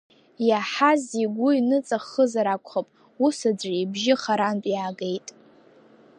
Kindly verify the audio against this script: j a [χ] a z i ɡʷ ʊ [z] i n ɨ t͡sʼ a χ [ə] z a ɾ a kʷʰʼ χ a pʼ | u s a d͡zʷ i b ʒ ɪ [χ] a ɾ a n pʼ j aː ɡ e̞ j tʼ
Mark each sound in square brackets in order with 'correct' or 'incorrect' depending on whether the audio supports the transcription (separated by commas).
incorrect, incorrect, correct, correct